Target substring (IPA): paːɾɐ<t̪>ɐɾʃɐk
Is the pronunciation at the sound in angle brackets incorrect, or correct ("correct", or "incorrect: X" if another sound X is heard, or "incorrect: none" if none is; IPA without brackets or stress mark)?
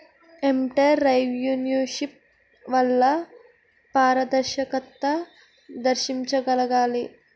incorrect: d̪